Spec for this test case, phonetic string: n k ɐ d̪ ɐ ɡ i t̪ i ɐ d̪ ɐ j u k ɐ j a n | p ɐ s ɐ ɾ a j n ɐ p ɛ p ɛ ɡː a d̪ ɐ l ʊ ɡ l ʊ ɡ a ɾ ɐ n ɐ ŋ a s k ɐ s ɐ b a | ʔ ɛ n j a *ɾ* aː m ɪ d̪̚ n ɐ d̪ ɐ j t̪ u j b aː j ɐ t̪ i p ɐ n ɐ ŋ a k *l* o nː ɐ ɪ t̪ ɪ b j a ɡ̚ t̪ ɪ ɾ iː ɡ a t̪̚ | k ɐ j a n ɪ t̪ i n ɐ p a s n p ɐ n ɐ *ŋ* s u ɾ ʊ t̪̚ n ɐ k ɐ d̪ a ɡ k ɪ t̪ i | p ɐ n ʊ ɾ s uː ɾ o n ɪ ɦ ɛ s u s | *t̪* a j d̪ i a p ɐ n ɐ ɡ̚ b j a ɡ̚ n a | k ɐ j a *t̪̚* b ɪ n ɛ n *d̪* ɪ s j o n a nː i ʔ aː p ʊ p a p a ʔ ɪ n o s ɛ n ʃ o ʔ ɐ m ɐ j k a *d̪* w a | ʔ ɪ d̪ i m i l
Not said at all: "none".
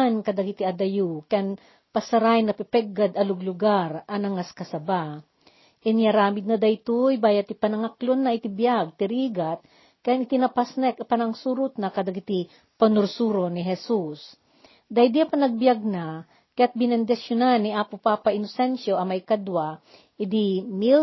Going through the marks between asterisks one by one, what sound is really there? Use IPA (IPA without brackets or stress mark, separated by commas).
ɾ, l, ŋ, d̪, t̪̚, d̪, d̪